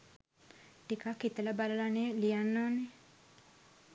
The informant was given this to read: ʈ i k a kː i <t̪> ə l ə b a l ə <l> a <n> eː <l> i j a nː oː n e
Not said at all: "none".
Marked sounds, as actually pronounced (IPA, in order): t̪, l, n, l

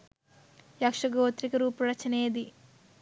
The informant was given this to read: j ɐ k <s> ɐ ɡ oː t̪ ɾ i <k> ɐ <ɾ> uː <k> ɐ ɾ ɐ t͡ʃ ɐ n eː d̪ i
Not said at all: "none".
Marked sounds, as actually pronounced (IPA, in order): ʂ, k, ɾ, p

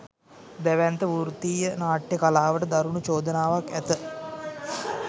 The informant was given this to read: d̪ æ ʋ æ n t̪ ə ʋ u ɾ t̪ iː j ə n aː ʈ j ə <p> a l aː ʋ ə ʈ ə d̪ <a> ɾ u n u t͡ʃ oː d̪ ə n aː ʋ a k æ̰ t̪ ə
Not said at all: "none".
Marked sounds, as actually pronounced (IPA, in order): k, a

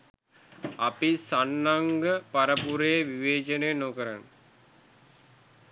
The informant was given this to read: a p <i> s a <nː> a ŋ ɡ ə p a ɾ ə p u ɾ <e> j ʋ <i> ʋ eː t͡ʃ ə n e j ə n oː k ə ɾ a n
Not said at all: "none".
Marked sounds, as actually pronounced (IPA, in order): i, nː, e, i

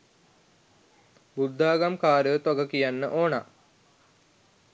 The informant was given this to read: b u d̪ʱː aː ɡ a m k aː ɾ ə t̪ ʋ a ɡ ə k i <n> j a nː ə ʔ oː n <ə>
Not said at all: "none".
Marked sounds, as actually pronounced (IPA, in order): none, a

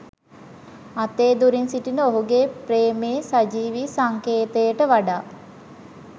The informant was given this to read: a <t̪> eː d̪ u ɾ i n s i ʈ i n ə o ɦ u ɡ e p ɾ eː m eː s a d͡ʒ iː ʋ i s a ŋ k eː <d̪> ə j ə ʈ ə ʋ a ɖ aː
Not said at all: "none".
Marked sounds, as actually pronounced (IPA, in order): t̪, t̪

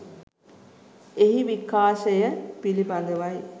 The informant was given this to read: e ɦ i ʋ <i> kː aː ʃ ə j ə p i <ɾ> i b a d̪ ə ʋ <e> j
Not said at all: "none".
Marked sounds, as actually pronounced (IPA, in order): i, l, a

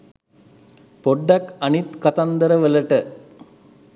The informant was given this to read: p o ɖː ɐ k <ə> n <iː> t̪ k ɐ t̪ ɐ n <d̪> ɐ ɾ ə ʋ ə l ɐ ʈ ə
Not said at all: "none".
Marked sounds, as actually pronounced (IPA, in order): ɐ, i, d̪

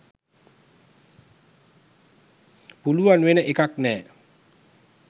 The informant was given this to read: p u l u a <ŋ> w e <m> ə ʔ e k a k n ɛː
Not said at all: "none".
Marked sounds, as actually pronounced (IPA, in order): n, n

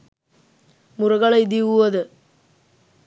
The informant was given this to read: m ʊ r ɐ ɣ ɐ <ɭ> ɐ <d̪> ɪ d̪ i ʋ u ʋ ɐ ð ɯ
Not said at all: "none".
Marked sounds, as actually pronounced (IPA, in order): ɭ, none

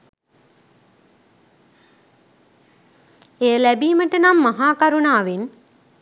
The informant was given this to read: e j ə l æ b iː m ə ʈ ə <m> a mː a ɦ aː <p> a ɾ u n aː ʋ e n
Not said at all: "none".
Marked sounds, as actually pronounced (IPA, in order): n, k

